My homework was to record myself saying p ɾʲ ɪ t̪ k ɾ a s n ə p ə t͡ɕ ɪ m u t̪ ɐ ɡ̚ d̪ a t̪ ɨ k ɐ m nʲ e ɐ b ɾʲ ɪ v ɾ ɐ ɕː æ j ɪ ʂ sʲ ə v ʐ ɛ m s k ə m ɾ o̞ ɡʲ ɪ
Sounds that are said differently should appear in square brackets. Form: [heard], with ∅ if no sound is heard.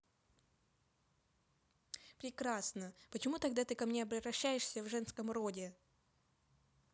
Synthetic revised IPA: p ɾʲ ɪ [∅] k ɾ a s n ə p ə t͡ɕ ɪ m u t̪ ɐ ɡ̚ d̪ a t̪ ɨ k ɐ m nʲ e ɐ b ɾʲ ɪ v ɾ ɐ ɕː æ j ɪ ʂ sʲ ə v ʐ ɛ [n] s k ə m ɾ o̞ [dʲ] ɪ

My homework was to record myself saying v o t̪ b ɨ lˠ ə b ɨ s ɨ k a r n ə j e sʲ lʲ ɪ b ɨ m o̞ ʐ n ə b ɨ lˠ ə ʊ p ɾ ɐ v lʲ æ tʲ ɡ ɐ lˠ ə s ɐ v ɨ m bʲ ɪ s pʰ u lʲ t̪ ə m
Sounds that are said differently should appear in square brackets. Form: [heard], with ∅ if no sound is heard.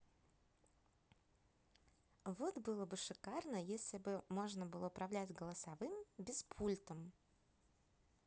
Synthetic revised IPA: v o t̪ b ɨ lˠ ə b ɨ [ʂ] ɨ k a r n ə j e sʲ lʲ ɪ b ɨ m o̞ ʐ n ə b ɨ lˠ ə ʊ p ɾ ɐ v lʲ æ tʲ ɡ [ə] lˠ ə s ɐ v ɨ m bʲ ɪ s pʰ u lʲ t̪ ə m

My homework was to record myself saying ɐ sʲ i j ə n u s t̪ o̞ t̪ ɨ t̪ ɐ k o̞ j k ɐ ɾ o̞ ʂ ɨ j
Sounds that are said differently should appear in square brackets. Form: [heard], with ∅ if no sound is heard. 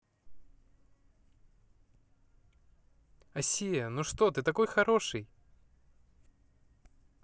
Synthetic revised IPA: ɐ sʲ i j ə n u [ʂ] t̪ o̞ t̪ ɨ t̪ ɐ k o̞ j [x] ɐ ɾ o̞ ʂ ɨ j

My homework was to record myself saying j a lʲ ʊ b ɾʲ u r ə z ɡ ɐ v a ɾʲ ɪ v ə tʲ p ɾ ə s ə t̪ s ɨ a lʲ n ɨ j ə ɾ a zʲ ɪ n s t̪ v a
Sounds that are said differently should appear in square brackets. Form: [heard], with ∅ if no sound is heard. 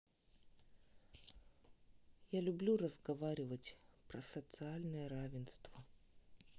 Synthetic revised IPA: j a lʲ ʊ b [lʲ] u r ə z ɡ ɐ v a ɾʲ ɪ v ə tʲ p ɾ ə s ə t̪ s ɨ a lʲ n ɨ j ə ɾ a [vʲ] ɪ n s t̪ v [ə]

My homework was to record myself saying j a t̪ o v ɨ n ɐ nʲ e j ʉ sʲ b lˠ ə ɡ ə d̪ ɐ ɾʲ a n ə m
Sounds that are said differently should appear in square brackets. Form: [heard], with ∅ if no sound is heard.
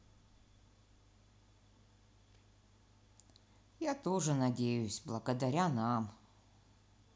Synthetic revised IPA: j a t̪ o [ʐ] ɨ n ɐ [dʲ] e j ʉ sʲ b lˠ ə ɡ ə d̪ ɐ ɾʲ a n [a] m

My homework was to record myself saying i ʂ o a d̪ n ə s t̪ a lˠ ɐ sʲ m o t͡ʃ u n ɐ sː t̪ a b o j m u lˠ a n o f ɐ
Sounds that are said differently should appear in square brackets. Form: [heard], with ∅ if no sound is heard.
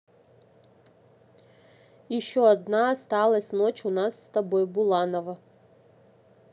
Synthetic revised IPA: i [ʃ] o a d̪ n [a] s t̪ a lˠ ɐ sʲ [n] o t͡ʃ u n [a] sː t̪ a b o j [b] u lˠ a n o [v] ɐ

